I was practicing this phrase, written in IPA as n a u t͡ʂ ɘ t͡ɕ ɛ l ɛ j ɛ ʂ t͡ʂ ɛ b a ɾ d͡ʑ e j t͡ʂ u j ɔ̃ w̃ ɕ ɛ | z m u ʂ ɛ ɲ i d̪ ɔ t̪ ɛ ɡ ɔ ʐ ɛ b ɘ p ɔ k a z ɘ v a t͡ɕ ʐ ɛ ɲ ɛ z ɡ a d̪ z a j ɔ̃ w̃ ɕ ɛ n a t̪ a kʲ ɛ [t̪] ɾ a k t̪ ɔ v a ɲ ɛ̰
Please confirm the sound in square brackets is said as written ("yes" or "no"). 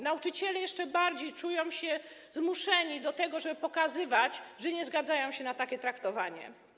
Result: yes